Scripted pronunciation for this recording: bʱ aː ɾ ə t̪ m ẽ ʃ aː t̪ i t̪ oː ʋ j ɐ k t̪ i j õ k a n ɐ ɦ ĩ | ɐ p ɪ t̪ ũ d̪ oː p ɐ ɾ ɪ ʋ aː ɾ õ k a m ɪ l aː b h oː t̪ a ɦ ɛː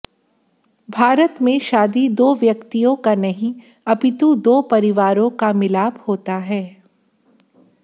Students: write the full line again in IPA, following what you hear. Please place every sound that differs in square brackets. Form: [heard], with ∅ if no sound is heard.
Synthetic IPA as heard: bʱ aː ɾ ə t̪ m ẽ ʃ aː [d̪] i [d̪] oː ʋ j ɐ k t̪ i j õ k a n ɐ ɦ ĩ | ɐ p ɪ t̪ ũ d̪ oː p ɐ ɾ ɪ ʋ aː ɾ õ k a m ɪ l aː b h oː t̪ a ɦ ɛː